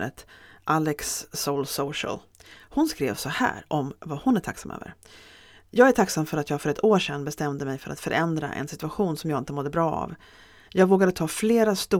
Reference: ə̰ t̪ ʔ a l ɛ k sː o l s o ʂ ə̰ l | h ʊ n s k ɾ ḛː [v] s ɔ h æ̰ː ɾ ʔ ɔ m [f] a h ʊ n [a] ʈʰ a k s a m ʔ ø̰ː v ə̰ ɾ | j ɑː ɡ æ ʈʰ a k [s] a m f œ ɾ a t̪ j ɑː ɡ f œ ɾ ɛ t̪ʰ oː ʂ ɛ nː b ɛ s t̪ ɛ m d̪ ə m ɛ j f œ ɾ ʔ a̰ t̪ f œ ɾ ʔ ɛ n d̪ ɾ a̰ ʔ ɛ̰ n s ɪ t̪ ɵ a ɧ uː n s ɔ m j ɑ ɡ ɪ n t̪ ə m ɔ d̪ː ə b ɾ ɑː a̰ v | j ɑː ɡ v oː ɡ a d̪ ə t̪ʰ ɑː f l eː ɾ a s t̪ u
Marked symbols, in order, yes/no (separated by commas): yes, no, no, yes